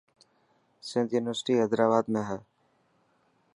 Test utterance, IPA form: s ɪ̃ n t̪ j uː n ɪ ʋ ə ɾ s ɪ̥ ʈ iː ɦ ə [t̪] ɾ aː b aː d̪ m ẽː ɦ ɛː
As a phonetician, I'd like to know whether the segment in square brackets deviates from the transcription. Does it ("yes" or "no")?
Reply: yes